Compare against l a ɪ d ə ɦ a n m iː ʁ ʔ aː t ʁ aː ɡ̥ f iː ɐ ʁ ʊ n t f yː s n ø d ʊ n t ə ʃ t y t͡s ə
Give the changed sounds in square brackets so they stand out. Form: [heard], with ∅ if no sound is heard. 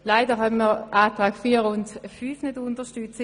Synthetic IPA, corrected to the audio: l a ɪ d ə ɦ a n m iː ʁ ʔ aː t ʁ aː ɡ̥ f iː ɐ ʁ ʊ n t f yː [f] n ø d ʊ n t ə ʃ t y t͡s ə